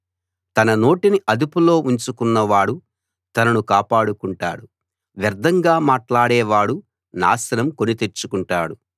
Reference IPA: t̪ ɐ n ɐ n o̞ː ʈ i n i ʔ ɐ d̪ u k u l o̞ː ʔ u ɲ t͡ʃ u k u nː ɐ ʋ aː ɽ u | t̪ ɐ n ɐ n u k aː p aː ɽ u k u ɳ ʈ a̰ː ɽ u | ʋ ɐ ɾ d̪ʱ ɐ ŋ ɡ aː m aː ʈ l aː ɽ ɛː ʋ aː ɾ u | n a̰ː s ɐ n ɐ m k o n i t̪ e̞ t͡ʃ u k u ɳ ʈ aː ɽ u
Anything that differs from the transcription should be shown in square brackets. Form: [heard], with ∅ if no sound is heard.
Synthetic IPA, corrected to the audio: t̪ ɐ n ɐ n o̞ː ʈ i n i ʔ ɐ d̪ u [p] u l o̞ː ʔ u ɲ t͡ʃ u k u nː ɐ ʋ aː ɽ u | t̪ ɐ n ɐ n u k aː p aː ɽ u k u ɳ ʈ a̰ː ɽ u | ʋ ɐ ɾ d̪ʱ ɐ ŋ ɡ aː m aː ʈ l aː ɽ ɛː ʋ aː [ɽ] u | n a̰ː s ɐ n ɐ m k o n i t̪ e̞ t͡ʃ u k u ɳ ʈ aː ɽ u